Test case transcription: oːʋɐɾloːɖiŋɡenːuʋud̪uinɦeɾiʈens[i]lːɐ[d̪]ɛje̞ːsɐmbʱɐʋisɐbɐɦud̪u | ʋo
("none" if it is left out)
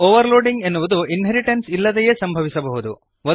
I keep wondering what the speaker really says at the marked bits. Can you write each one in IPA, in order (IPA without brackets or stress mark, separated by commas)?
i, d̪